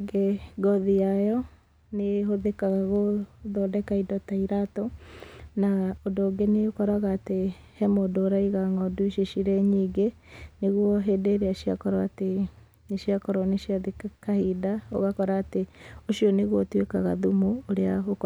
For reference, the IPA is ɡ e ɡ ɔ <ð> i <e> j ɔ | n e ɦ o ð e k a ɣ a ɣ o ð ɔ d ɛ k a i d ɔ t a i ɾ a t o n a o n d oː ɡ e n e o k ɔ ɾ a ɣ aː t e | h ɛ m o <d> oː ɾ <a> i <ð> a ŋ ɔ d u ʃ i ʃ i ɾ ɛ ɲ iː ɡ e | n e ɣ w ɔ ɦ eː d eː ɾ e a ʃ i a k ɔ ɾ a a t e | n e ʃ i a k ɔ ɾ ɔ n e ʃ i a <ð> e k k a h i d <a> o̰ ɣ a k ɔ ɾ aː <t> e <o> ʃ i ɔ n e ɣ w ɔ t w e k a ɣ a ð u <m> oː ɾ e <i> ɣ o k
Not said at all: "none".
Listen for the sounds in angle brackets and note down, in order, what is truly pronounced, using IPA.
ð, a, d, a, ɣ, ð, a, t, o, m, a

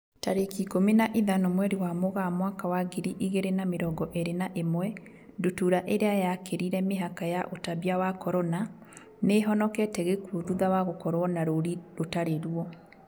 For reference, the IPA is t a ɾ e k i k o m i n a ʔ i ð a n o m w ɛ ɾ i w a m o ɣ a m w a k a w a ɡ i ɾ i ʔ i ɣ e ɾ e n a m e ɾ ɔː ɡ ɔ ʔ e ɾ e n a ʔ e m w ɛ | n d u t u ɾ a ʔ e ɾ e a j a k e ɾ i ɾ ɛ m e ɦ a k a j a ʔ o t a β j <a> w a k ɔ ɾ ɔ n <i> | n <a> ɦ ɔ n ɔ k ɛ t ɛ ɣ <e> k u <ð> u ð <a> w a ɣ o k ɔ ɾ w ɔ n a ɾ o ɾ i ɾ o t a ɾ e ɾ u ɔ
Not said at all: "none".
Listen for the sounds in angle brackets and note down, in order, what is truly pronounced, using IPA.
a, a, e, e, ð, a

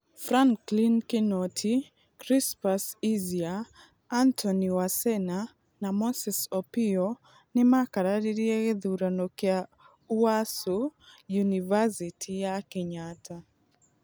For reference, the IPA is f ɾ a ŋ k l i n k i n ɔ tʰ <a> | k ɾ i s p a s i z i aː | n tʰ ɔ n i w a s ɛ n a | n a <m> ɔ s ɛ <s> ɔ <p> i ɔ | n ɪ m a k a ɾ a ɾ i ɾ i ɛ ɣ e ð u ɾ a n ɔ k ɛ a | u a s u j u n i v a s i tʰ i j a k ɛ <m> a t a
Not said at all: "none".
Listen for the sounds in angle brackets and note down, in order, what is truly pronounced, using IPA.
i, m, s, p, ɲ

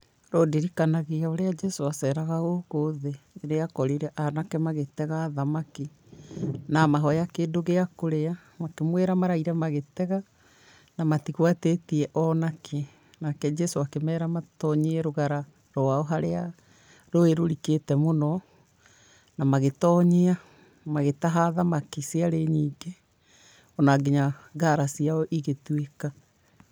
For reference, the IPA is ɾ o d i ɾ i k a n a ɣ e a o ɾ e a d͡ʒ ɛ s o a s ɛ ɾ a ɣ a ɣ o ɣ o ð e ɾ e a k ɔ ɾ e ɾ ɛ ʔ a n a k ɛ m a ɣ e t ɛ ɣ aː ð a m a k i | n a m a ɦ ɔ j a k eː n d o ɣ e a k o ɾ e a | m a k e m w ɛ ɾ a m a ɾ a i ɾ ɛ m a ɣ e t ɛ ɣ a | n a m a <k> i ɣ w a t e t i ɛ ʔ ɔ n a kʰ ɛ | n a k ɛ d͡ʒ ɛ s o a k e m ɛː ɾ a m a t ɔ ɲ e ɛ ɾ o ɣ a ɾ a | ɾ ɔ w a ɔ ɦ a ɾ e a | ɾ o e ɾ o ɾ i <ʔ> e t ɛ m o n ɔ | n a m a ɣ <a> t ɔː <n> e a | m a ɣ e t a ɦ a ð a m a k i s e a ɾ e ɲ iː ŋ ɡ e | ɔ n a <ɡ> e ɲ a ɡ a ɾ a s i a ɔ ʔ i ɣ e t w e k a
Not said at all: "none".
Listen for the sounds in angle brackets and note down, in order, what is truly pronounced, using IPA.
t, k, e, ɲ, ɡ

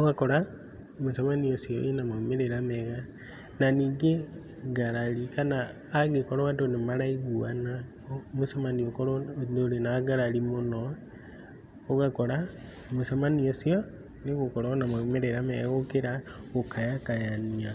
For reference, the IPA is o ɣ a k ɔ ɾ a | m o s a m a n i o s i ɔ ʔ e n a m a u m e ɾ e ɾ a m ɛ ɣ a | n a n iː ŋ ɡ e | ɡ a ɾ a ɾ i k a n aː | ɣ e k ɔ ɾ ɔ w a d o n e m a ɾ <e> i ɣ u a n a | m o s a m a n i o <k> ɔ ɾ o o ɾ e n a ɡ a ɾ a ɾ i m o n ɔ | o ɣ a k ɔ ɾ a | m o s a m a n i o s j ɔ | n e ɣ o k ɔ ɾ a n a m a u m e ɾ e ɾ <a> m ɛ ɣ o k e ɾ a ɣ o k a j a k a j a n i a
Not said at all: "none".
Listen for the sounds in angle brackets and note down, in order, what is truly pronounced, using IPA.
a, k, a

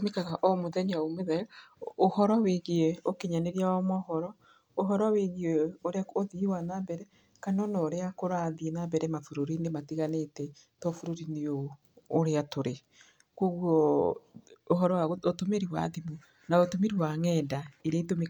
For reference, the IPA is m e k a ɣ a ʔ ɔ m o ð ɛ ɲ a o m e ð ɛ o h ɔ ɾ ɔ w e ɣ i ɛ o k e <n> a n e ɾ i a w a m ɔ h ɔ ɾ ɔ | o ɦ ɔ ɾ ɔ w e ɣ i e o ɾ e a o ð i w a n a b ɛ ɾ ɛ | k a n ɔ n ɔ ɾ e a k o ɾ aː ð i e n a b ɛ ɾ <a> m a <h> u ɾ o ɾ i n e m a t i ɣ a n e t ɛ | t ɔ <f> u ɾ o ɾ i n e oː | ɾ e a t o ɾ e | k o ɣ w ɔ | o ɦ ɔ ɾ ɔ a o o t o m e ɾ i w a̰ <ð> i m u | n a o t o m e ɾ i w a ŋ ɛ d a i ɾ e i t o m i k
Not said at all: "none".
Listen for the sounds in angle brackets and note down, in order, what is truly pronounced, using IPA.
ɲ, ɛ, f, f, ð

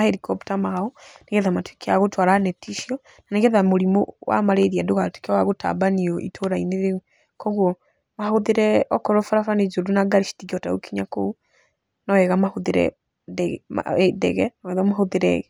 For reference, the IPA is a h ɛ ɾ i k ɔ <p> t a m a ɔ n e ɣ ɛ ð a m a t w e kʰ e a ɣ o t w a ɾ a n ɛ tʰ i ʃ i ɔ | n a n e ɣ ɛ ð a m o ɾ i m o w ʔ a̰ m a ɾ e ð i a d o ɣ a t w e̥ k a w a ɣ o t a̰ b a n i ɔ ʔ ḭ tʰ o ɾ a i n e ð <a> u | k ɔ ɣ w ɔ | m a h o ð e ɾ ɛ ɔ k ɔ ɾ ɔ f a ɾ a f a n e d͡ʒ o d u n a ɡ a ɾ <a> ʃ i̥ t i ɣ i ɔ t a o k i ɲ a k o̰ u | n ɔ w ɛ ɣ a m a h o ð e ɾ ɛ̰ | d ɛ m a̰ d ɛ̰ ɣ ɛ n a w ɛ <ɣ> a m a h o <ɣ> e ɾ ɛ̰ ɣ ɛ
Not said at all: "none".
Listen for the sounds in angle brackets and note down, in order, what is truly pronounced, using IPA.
p, e, i, ð, ð

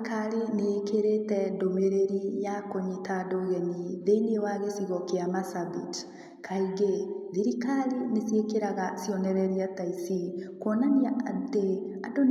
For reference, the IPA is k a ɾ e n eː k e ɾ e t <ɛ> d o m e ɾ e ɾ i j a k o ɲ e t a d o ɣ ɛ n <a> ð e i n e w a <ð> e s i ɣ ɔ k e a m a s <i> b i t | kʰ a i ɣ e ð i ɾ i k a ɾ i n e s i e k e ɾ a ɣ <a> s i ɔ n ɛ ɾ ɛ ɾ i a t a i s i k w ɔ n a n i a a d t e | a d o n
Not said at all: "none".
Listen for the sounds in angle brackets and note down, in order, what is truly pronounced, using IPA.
ɛ, i, ɣ, a, a

